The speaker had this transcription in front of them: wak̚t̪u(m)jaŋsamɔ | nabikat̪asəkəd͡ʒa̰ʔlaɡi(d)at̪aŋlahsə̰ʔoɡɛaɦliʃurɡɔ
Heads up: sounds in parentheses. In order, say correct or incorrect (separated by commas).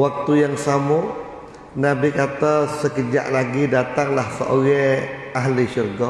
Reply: incorrect, correct